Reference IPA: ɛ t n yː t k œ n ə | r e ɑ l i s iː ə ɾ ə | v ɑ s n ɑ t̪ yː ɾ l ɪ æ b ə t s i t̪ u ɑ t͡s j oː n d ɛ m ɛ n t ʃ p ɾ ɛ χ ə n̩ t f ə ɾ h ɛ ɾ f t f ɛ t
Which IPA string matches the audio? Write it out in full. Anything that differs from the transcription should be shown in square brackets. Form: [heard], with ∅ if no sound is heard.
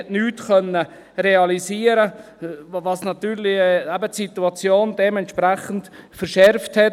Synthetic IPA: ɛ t n yː t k œ n ə | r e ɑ l i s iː ə ɾ ə | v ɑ s n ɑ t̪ yː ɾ l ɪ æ b ə t s i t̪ u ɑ t͡s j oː n d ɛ m ɛ n t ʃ p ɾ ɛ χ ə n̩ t f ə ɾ [ʃ] ɛ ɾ f t [h] ɛ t